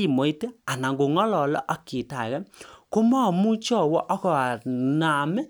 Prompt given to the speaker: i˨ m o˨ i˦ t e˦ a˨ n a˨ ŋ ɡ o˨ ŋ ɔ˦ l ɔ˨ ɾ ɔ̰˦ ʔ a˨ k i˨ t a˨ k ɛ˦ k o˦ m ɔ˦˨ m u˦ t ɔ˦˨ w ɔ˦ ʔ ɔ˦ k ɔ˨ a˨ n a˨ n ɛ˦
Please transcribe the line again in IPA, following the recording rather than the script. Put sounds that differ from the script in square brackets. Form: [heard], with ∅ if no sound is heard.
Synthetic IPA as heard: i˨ m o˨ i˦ t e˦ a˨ n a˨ ŋ ɡ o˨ ŋ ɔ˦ l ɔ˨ [l] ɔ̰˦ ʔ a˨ k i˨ t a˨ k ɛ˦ k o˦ m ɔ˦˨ m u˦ [t͡ʃ] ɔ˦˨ w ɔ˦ ʔ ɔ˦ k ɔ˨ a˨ n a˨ [m] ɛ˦

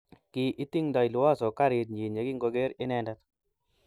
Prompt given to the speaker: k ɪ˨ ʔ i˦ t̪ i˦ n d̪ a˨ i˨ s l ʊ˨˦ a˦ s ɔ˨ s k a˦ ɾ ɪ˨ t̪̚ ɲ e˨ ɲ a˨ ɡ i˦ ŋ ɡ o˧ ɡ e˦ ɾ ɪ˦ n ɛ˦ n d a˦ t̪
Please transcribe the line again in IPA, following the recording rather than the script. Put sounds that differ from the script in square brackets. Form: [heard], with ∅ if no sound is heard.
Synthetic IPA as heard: k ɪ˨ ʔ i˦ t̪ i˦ [ŋ] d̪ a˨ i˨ [∅] l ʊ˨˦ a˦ s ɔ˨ [∅] k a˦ ɾ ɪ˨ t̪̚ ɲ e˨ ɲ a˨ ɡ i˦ ŋ ɡ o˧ ɡ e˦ ɾ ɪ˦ n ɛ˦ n d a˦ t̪

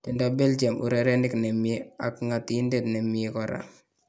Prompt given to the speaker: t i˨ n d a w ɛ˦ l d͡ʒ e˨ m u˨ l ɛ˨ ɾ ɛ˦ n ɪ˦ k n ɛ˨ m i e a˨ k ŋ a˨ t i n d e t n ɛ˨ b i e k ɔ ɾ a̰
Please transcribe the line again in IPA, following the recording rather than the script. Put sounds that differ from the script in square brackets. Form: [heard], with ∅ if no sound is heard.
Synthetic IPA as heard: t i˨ n d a [b] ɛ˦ l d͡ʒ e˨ m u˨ [ɾ] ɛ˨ ɾ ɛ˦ n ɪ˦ k n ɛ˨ m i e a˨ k ŋ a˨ t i n d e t n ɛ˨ [m] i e k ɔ ɾ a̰

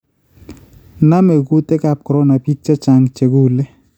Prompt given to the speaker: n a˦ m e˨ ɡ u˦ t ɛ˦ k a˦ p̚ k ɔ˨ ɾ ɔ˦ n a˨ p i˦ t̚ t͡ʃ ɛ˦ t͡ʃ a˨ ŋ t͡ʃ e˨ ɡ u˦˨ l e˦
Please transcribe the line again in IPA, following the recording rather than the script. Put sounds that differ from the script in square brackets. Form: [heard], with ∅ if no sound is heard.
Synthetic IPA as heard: n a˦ m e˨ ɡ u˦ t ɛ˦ k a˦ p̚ k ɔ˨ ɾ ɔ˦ n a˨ p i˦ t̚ t͡ʃ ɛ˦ t͡ʃ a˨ ŋ t͡ʃ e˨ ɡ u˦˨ l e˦

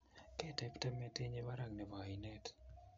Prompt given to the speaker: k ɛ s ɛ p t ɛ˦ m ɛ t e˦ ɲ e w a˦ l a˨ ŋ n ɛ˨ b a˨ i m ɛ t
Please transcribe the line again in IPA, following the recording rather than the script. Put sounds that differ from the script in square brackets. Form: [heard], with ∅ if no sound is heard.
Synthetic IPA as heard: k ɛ [t] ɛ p t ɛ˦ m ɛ t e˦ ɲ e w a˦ [ɾ] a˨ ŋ n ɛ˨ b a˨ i [n] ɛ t

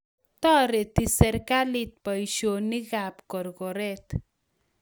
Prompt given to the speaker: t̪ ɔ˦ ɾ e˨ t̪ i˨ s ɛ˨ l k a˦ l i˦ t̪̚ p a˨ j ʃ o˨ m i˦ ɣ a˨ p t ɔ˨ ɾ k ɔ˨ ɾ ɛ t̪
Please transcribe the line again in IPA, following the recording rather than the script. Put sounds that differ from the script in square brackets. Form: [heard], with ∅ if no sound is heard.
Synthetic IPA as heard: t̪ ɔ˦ ɾ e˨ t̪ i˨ s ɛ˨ [ɾ] k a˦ l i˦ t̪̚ p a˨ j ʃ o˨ [n] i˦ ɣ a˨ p [k] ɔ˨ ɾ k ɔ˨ ɾ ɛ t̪

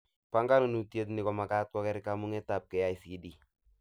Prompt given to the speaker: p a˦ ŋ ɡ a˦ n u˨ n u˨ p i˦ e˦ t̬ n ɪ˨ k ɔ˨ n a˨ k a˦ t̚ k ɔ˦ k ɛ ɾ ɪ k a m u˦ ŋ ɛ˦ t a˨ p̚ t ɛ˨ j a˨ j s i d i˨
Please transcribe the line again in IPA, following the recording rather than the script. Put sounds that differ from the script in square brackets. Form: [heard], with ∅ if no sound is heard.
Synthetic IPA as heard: p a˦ ŋ ɡ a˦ n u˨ n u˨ [t] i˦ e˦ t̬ n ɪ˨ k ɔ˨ [m] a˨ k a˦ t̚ k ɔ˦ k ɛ ɾ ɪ k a m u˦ ŋ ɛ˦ t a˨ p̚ [k] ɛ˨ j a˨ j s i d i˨

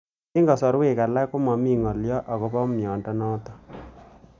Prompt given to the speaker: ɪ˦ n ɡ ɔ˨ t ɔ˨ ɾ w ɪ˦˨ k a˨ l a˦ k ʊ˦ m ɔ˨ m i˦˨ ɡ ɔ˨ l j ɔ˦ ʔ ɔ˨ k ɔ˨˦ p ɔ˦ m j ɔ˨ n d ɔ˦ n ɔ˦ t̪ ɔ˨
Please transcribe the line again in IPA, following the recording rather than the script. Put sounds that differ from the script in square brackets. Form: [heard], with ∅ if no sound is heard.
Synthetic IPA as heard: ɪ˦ [ŋ] ɡ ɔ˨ [s] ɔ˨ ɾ w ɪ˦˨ k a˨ l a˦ k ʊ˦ m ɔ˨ m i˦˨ [ŋ] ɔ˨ l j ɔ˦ ʔ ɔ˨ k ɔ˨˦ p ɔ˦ m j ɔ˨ n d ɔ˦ n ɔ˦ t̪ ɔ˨

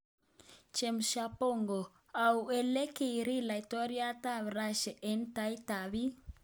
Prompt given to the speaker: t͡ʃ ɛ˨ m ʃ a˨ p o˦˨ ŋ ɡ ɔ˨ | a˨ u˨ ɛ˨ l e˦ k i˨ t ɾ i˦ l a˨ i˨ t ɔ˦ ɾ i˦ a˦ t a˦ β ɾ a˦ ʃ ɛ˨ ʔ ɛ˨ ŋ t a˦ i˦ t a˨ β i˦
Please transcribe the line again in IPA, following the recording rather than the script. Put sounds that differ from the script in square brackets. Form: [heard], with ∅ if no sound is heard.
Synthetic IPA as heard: t͡ʃ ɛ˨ m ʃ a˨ p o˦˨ ŋ ɡ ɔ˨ | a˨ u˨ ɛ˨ l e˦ k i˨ [∅] ɾ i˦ l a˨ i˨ t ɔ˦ ɾ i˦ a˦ t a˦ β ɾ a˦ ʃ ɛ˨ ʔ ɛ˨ [n] t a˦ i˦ t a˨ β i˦

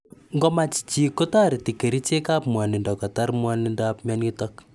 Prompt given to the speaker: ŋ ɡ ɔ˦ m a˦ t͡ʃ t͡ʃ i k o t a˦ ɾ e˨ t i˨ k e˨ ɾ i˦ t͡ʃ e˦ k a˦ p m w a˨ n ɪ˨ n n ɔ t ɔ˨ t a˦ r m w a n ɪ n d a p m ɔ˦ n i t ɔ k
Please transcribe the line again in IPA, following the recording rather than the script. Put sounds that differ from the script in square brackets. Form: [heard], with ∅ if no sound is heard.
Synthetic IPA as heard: ŋ ɡ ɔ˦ m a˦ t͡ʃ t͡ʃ i k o t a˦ ɾ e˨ t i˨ k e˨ ɾ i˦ t͡ʃ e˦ k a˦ p m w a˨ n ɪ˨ n [d] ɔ [k] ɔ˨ t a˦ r m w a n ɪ n d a p m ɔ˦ n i t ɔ k

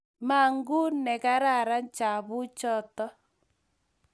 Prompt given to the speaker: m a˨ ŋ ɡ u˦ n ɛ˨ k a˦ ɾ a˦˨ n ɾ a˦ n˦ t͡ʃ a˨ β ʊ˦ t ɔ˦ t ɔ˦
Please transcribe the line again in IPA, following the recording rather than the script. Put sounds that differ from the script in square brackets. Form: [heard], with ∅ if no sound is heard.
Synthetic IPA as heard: m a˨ ŋ ɡ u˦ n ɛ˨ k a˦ ɾ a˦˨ [∅] ɾ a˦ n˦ t͡ʃ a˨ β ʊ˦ [t͡ʃ] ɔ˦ t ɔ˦

